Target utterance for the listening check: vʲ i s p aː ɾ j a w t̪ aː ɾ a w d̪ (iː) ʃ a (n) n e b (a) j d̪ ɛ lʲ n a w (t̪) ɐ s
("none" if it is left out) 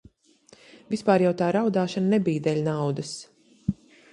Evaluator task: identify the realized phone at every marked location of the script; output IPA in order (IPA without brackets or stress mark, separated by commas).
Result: aː, n, i, d̪